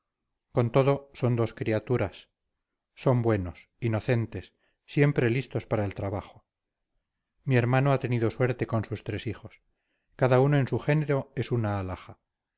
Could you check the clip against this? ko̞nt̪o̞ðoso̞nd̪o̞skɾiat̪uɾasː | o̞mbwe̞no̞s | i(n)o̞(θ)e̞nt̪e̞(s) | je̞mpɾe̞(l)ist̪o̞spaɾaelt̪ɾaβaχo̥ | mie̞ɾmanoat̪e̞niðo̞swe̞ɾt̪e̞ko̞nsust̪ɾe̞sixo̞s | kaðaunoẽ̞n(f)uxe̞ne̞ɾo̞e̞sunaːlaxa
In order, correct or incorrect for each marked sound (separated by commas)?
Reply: correct, correct, incorrect, correct, incorrect